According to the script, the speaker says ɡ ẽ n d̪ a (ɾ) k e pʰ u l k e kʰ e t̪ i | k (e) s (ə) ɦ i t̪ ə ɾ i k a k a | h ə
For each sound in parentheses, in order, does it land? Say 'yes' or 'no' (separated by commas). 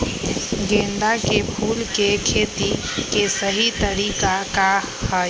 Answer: no, yes, yes